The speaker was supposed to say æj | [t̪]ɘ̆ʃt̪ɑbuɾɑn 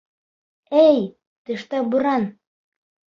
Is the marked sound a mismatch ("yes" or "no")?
no